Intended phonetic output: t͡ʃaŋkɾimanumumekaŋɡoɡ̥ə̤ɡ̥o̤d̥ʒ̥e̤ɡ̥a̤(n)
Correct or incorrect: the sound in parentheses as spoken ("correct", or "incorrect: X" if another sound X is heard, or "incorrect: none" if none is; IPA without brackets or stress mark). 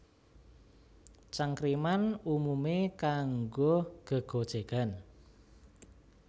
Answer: correct